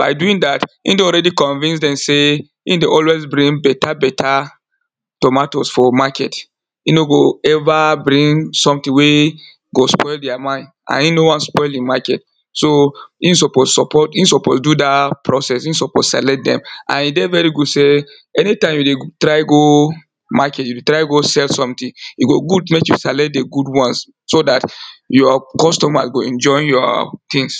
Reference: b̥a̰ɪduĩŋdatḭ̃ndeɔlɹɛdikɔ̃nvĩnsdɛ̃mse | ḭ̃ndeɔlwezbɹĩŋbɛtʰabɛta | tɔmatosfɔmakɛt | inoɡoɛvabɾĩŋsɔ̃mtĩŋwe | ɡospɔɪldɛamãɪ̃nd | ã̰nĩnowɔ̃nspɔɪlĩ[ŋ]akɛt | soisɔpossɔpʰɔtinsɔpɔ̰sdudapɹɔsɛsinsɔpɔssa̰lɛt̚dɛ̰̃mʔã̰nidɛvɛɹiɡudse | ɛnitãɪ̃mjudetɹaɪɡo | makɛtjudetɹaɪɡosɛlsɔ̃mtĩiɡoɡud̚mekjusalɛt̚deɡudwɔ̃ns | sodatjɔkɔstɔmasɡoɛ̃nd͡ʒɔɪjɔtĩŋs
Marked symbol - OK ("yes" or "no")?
no